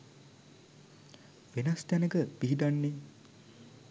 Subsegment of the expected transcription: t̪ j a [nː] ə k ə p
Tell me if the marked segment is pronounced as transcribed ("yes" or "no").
no